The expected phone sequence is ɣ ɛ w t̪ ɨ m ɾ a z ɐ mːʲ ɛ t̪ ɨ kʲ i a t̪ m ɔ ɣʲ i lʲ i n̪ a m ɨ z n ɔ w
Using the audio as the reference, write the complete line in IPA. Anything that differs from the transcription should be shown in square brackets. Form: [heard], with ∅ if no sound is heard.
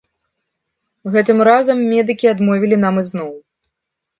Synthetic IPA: ɣ ɛ [∅] t̪ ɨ m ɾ a z ɐ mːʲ ɛ [d̪] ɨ kʲ i a [d̪] m ɔ [vʲ] i lʲ i n̪ a m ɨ z n ɔ w